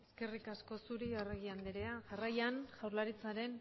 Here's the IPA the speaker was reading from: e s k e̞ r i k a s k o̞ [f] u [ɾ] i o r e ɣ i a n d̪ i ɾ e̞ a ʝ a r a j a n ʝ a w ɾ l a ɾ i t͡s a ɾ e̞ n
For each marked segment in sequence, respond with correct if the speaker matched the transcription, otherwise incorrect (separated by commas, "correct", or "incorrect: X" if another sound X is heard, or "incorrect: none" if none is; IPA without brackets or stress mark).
incorrect: s, correct